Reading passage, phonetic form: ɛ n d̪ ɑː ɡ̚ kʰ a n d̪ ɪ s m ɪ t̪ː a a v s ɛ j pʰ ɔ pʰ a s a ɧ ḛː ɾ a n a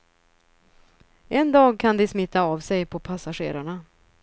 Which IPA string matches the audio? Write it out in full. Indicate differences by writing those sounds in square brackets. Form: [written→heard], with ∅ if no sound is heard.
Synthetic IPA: ɛ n d̪ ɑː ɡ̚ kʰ a n d̪ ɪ s m ɪ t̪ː a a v s ɛ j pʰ ɔ pʰ a s a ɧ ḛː ɾ a [n→ɳ] a